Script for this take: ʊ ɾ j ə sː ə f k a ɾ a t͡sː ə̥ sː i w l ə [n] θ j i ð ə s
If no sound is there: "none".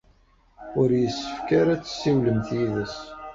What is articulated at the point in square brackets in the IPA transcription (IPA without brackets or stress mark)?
m